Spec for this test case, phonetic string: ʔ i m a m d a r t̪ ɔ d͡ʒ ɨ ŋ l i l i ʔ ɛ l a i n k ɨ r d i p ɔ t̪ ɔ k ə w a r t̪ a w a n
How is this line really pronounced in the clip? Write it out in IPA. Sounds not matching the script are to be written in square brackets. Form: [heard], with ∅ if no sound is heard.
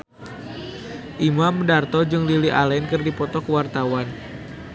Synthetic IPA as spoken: ʔ i m a m d a r t̪ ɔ d͡ʒ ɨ ŋ l i l i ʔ [a] l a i n k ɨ r d i p ɔ t̪ ɔ k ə w a r t̪ a w a n